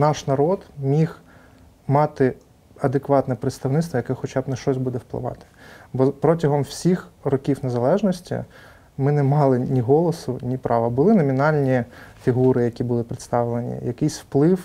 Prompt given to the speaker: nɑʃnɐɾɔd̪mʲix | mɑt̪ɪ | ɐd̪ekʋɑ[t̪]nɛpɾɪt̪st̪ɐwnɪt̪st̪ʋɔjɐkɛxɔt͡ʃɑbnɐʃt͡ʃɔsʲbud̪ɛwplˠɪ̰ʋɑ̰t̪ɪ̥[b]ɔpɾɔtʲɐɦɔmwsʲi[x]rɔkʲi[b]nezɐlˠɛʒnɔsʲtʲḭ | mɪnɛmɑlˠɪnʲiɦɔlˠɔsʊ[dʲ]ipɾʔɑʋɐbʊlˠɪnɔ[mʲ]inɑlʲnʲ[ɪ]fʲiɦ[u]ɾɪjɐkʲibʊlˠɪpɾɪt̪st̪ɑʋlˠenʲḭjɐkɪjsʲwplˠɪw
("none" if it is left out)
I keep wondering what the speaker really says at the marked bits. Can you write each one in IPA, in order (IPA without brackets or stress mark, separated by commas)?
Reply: t̪, b, x, w, nʲ, mʲ, i, u